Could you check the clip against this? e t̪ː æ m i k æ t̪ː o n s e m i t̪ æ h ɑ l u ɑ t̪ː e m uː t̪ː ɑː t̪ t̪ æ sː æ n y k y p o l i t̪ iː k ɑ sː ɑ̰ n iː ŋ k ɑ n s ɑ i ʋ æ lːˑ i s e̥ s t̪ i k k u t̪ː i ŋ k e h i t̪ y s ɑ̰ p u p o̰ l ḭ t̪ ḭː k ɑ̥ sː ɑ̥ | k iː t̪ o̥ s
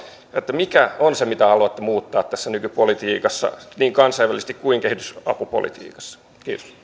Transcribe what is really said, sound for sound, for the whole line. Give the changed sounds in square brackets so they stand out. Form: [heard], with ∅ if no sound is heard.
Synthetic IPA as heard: e t̪ː æ m i k æ [∅] o n s e m i t̪ æ h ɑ l u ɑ t̪ː e m uː t̪ː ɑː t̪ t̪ æ sː æ n y k y p o l i t̪ iː k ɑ sː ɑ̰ n iː ŋ k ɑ n s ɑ i ʋ æ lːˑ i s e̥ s t̪ i k k u [∅] i ŋ k e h i t̪ y s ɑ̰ p u p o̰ l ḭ t̪ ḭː k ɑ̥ sː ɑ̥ | k iː t̪ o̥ s